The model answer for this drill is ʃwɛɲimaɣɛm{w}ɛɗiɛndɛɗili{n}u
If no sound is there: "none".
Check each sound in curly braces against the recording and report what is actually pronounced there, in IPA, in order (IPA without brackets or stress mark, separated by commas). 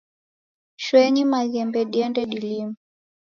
b, m